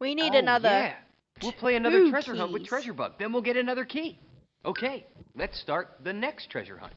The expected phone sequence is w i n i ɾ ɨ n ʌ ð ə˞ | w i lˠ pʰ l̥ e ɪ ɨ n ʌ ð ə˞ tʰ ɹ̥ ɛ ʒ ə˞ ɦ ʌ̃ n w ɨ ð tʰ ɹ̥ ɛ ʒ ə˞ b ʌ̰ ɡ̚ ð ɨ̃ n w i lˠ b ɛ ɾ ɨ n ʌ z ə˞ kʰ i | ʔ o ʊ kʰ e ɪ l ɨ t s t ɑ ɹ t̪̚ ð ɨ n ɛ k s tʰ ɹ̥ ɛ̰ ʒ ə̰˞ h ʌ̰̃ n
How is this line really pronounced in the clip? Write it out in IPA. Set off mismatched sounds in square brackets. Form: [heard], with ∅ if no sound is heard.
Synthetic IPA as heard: w i n i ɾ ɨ n ʌ ð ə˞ | w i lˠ pʰ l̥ e ɪ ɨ n ʌ ð ə˞ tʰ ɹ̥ ɛ ʒ ə˞ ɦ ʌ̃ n w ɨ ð tʰ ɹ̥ ɛ ʒ ə˞ b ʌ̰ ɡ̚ ð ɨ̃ n w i lˠ [ɡ] ɛ ɾ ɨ n ʌ [ð] ə˞ kʰ i | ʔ o ʊ kʰ e ɪ l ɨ t s t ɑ ɹ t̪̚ ð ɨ n ɛ k s tʰ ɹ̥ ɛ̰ ʒ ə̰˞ h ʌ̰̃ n